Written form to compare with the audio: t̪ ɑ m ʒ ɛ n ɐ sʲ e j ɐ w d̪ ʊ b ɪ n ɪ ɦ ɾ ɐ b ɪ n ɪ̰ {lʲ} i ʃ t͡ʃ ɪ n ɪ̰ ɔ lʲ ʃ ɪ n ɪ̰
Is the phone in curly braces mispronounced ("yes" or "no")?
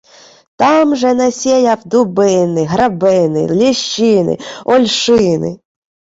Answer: no